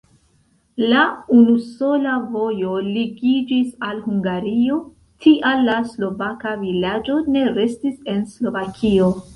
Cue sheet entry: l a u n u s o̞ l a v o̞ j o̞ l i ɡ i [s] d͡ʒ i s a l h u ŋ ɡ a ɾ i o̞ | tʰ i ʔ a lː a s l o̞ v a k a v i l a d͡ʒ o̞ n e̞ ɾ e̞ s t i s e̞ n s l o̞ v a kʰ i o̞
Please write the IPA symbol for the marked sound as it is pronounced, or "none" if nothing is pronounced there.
none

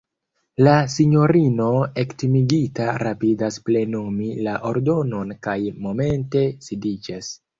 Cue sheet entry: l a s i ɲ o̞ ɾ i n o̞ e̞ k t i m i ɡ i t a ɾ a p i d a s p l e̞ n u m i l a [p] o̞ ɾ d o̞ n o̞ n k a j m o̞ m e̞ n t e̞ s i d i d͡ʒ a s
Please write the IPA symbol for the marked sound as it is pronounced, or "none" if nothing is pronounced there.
ʔ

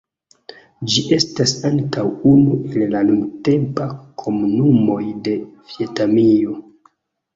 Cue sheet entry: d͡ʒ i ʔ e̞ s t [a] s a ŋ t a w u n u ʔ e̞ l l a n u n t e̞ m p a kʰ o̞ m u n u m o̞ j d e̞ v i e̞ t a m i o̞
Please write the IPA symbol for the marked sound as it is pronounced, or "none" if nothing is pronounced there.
a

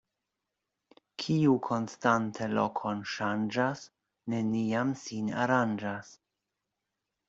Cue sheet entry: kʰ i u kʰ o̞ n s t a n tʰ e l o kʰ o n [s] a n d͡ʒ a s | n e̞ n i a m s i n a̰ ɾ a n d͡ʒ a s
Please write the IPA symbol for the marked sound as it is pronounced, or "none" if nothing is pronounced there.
ʃ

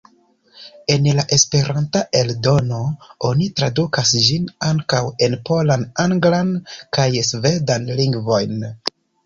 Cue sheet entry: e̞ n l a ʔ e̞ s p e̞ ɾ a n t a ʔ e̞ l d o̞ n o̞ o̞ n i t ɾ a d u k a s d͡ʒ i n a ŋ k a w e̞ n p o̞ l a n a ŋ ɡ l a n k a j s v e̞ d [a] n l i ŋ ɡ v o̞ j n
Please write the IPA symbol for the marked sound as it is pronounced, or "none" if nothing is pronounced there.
a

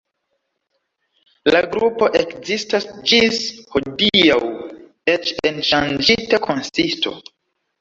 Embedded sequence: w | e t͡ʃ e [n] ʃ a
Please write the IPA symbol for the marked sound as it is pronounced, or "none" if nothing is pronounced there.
n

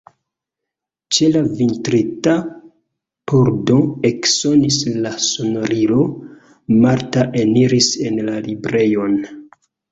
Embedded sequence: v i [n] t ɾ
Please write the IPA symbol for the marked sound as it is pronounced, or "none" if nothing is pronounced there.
n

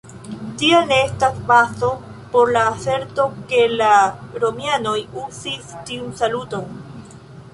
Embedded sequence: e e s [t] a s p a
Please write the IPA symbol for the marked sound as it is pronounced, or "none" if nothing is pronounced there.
t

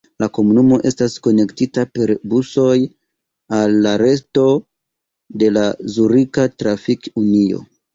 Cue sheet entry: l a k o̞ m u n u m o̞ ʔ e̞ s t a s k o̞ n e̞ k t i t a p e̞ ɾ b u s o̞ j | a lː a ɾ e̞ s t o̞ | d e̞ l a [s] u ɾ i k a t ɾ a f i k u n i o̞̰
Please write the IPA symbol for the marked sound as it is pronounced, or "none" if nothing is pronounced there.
z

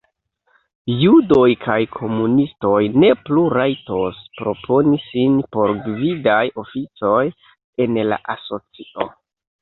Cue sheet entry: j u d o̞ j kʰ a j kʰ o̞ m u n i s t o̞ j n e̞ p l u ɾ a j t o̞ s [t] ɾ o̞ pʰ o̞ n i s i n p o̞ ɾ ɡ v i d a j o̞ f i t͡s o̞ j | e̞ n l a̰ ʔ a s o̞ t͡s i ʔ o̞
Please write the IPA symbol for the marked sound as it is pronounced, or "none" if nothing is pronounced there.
p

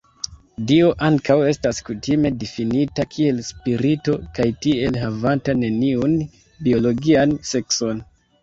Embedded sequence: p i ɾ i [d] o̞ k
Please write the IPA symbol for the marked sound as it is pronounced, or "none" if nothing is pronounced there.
t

